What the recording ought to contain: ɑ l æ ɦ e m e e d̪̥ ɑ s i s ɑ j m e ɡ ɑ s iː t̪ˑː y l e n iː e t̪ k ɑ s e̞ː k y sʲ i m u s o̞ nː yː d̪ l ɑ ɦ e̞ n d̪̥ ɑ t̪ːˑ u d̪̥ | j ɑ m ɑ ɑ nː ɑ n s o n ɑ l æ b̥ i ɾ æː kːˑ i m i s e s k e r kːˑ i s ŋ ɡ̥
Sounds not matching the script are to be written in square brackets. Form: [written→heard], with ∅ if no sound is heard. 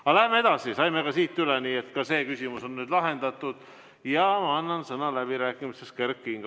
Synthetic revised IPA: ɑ l æ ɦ e m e e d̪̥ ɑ s i s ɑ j m e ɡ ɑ s iː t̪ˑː y l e n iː e t̪ k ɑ s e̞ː k y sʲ i m u s o̞ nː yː d̪ l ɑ ɦ e̞ n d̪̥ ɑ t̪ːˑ u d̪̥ | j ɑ m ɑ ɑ nː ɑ n s [o→ɤ] n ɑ l æ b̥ i ɾ æː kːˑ i m i s e s k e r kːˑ i [s→∅] ŋ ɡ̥